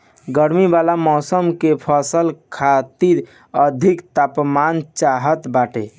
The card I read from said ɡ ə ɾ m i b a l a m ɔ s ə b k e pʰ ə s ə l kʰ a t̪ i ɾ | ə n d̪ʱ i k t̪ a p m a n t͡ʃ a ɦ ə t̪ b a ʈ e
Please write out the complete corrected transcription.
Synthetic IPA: ɡ ə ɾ m i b a l a m ɔ s ə m k e pʰ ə s ə l kʰ a t̪ i ɾ | ə d̪ʱ i k t̪ a p m a n t͡ʃ a ɦ ə t̪ b a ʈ e

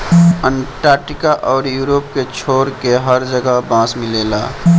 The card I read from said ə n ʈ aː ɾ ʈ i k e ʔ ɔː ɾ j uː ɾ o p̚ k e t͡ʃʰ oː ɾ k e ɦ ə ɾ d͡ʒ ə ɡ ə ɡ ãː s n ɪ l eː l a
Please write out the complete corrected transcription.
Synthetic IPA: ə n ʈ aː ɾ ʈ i k a ʔ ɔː ɾ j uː ɾ o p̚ k e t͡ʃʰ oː ɾ k e ɦ ə ɾ d͡ʒ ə ɡ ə b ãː s m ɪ l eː l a

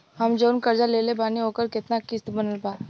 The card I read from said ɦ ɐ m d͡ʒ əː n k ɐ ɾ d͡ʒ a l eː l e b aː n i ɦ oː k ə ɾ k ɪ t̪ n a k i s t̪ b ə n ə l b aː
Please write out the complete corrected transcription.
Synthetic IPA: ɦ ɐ m d͡ʒ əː n k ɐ ɾ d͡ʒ a l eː l e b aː n i ɦ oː k ə ɾ k ɪ t̪ n a k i s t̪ b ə n ə l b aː

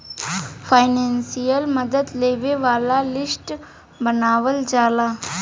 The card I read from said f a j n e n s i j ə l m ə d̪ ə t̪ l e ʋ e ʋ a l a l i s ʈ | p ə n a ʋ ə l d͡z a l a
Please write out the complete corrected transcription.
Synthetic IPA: f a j n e n s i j ə l m ə d̪ ə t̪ l e ʋ e ʋ a l a l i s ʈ | b ə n a ʋ ə l d͡z a l a

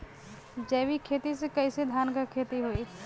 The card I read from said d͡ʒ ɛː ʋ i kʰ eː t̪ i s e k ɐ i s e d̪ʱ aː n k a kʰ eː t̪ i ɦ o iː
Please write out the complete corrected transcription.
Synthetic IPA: d͡ʒ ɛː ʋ i kʰ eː t̪ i s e k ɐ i s e d̪ʱ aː n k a kʰ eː t̪ i ɦ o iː

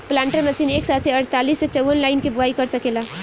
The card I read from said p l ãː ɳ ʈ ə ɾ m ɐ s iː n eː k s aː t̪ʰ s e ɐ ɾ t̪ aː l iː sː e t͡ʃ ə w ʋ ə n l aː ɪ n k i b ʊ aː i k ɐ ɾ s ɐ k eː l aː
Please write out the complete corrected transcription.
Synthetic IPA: p l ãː ɳ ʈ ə ɾ m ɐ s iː n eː k s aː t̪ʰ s e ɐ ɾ t̪ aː l iː sː e t͡ʃ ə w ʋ ə n l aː ɪ n k i b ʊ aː i k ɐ ɾ s ɐ k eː l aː

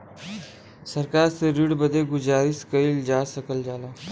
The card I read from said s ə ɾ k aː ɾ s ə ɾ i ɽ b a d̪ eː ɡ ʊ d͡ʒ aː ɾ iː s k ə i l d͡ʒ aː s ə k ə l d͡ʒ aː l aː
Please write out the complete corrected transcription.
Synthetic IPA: s ə ɾ k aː ɾ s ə ɾ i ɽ b ə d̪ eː ɡ ʊ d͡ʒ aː ɾ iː s k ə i l d͡ʒ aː s ə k ə l d͡ʒ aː l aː

